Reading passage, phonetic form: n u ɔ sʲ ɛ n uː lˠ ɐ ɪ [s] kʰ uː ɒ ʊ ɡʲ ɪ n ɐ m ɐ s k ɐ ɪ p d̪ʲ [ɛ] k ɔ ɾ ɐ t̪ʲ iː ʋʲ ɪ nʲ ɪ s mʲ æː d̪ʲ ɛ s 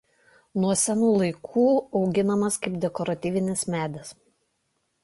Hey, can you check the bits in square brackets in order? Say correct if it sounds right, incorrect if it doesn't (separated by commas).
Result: incorrect, correct